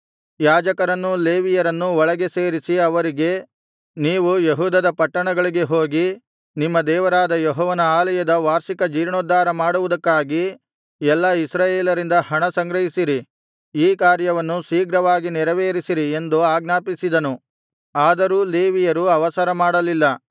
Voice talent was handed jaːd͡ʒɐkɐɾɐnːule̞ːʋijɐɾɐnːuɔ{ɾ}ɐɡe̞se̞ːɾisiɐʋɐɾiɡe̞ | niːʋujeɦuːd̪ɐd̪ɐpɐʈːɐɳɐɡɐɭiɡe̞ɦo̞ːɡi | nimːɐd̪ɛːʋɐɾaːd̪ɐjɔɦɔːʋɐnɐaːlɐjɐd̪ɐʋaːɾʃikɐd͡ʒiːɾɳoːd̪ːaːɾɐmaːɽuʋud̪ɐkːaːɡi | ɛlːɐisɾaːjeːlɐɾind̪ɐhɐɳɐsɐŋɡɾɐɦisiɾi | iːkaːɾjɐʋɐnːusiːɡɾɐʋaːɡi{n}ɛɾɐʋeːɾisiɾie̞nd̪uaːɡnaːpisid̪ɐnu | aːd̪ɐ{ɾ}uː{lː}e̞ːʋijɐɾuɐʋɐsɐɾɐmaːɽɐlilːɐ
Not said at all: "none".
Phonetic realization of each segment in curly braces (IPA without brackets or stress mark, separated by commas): ɭ, n, ɾ, l